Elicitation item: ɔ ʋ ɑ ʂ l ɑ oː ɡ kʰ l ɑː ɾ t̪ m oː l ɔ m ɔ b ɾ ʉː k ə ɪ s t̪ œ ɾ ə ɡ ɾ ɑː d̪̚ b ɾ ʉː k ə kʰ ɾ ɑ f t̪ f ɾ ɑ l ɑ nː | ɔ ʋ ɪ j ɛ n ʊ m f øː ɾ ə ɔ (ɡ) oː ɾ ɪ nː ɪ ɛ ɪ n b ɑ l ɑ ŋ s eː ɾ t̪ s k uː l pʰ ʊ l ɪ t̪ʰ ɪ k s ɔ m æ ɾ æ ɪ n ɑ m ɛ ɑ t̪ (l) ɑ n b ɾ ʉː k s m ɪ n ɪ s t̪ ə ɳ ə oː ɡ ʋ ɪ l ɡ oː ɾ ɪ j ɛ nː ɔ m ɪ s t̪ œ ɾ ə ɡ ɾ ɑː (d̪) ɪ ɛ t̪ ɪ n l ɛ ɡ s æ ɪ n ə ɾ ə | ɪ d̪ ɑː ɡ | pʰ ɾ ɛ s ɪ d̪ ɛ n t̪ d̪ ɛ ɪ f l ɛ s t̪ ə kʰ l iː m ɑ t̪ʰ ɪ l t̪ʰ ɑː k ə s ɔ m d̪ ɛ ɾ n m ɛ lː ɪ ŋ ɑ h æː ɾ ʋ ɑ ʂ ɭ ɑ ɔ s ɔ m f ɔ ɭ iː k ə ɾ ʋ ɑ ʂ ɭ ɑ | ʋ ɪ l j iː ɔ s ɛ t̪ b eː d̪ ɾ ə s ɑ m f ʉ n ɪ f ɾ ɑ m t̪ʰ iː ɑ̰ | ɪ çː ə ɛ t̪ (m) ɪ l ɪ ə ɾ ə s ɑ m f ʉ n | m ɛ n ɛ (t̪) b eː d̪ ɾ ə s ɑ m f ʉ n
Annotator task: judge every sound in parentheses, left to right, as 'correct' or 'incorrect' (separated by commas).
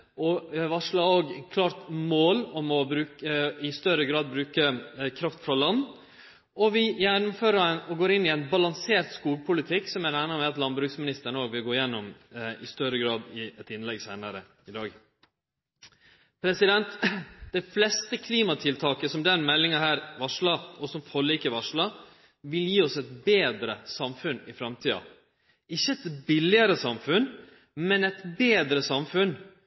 correct, correct, correct, incorrect, correct